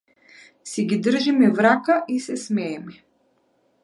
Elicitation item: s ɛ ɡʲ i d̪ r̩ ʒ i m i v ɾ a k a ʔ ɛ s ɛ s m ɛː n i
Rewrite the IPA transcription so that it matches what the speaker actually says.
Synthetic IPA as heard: s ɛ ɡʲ i d̪ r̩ ʒ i m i v ɾ a k a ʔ i s ɛ s m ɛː m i